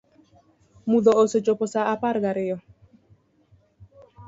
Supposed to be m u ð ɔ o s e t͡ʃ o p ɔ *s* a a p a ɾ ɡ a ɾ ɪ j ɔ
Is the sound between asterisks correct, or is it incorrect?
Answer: correct